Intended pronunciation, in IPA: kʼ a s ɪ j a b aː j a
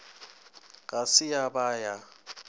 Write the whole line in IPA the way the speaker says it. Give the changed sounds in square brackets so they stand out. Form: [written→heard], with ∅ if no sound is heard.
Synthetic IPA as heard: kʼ a s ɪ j a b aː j a